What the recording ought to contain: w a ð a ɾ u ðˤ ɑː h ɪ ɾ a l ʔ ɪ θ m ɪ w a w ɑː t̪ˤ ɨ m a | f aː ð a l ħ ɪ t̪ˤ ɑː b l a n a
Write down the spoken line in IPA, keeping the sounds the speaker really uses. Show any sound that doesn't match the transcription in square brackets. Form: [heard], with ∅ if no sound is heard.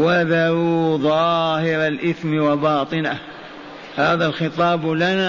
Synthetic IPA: w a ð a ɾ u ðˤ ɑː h ɪ ɾ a l ʔ ɪ θ m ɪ w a [b] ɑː t̪ˤ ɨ [n] a | [h] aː ð a l [x] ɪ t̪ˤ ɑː b l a n a